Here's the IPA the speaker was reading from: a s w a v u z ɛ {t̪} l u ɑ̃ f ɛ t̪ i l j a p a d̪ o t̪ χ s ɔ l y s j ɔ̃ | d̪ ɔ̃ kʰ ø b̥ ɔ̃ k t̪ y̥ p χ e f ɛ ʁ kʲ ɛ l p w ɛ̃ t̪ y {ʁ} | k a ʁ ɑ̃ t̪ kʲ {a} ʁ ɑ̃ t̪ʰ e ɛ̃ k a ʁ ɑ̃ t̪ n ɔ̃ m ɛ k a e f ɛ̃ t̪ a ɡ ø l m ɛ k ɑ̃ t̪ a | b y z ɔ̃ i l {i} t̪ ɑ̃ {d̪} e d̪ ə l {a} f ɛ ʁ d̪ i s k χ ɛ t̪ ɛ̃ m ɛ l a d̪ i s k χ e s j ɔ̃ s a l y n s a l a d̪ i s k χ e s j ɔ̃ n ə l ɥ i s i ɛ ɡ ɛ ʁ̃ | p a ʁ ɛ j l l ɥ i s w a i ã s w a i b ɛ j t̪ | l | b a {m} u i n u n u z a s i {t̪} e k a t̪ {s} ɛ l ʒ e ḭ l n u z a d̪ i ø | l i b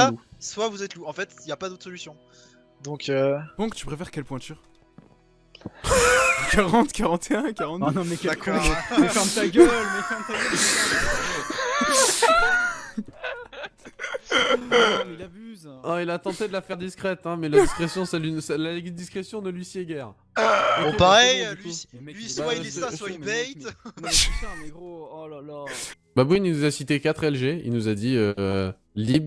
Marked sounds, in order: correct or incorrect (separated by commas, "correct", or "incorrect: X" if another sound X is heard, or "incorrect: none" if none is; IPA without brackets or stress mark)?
correct, correct, correct, incorrect: a, incorrect: t̪, correct, incorrect: b, correct, incorrect: χ